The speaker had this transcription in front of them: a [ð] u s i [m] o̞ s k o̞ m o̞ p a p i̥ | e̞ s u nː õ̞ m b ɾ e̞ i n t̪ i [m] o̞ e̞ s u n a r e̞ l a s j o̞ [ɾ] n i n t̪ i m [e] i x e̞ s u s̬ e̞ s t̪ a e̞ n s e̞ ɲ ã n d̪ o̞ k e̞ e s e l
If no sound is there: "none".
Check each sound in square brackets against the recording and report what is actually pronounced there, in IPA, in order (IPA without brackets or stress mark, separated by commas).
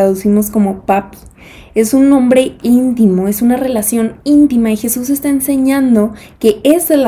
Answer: ð, m, m, none, a